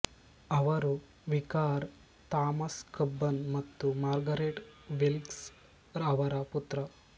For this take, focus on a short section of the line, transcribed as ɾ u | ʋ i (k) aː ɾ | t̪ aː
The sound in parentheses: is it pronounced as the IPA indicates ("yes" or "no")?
yes